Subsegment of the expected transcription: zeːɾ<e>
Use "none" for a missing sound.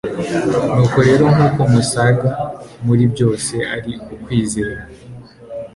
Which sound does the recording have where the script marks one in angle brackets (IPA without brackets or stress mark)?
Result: a